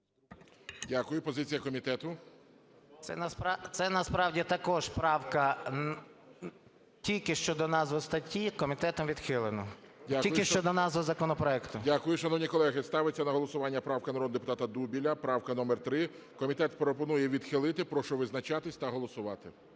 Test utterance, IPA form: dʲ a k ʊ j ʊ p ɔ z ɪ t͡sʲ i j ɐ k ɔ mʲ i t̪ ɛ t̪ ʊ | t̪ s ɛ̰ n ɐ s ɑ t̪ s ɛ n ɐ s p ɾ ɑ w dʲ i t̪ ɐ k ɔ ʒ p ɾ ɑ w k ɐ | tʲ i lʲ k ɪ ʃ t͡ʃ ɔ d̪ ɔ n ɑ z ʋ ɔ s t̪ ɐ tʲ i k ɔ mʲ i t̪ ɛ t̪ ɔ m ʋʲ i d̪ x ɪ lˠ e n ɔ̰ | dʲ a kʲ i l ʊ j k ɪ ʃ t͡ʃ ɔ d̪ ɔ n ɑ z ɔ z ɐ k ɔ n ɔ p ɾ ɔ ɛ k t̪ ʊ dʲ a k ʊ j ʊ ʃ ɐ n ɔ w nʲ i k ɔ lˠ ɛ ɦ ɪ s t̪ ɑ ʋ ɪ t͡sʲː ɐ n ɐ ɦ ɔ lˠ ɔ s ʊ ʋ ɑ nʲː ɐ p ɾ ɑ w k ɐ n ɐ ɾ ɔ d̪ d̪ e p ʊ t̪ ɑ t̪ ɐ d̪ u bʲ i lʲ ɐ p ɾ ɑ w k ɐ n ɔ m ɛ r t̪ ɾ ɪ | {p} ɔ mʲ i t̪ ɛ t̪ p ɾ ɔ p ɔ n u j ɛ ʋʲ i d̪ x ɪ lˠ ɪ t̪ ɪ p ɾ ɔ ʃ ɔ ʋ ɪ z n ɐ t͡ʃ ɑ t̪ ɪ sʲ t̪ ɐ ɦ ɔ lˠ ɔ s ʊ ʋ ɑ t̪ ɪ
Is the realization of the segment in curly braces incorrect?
yes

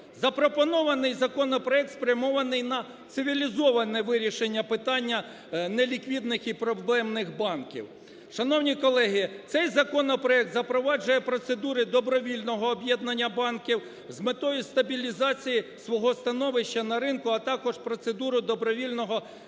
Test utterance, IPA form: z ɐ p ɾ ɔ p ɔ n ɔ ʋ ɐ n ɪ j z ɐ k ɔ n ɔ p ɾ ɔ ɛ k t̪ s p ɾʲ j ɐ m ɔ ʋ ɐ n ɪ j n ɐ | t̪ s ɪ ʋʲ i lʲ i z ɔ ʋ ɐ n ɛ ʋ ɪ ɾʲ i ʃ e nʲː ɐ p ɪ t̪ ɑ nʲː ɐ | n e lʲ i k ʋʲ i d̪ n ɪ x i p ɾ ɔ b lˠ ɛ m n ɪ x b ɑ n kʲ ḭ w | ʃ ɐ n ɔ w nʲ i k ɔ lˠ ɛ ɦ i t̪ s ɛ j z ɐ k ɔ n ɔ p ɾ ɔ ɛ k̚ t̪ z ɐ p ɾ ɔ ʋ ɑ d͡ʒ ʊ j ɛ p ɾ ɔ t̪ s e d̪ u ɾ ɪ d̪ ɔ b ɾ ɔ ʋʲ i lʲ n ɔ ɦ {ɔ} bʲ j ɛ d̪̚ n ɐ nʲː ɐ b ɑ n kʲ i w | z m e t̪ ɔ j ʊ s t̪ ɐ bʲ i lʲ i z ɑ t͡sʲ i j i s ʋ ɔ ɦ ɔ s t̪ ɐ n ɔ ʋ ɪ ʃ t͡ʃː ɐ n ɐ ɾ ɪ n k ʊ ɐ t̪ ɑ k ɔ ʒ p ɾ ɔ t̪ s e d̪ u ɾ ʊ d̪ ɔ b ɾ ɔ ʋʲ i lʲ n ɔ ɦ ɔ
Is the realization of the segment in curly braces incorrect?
yes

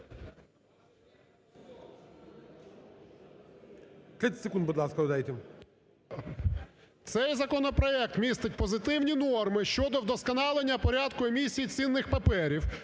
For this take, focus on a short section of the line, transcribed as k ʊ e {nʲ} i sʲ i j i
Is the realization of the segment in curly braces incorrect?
yes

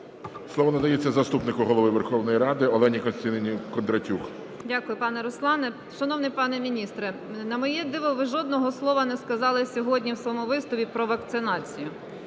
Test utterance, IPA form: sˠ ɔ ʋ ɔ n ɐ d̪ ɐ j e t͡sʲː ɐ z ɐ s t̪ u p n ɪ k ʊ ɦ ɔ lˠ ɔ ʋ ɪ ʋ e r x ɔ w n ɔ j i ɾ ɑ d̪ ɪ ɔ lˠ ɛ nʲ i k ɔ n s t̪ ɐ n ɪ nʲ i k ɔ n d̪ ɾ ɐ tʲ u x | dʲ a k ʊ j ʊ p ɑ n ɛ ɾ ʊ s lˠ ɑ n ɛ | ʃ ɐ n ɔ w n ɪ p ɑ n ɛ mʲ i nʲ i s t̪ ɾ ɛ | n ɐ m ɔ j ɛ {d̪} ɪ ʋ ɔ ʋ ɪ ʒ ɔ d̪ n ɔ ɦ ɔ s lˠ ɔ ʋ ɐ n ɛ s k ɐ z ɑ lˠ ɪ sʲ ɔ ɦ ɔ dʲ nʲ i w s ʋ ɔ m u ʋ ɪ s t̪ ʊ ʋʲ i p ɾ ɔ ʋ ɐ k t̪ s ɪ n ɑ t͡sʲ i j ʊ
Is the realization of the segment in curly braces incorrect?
no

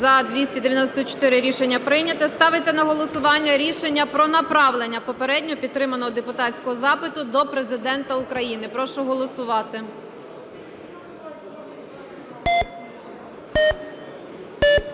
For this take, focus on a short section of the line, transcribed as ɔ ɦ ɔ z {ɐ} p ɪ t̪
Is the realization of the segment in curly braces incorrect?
yes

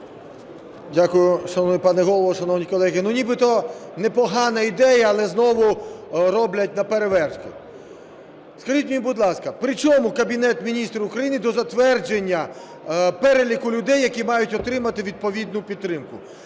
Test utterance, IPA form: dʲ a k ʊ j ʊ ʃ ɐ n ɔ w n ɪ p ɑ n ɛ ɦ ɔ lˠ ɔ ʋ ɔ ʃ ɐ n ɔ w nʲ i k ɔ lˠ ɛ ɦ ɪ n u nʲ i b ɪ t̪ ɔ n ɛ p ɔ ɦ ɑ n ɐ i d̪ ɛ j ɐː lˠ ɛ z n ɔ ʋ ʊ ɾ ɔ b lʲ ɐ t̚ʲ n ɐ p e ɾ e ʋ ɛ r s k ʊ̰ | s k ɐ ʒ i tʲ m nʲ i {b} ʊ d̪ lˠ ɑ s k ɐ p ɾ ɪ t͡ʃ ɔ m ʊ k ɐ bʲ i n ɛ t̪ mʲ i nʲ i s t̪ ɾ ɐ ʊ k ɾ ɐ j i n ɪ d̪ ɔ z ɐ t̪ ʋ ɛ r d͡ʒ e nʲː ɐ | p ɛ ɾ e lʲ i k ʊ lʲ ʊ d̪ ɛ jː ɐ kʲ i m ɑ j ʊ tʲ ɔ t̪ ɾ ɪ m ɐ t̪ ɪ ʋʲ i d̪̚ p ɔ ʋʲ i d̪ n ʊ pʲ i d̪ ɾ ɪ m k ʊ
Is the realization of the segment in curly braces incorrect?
no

